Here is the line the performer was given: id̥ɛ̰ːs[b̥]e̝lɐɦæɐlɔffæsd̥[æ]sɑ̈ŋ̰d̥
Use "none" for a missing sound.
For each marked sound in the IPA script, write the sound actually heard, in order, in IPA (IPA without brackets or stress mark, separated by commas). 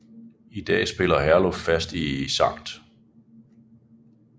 b̥, i